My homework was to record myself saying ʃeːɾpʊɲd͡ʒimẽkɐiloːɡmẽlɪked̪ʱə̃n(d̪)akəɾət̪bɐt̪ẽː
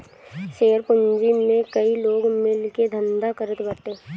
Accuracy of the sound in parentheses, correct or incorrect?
correct